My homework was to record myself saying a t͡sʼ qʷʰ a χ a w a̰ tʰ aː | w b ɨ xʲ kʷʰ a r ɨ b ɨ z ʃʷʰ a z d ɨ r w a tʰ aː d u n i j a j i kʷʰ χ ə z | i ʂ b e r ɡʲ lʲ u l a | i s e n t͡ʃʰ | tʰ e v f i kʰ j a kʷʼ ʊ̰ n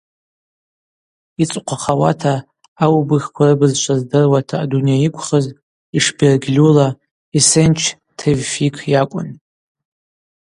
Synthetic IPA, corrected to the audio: i t͡sʼ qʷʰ a χ a w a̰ tʰ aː | w b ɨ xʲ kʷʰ a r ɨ b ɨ z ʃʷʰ a z d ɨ r w a tʰ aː d u n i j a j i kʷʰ χ ə z | i ʂ b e r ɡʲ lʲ u l a | i s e n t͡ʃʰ | tʰ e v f i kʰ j a kʷʼ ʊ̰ n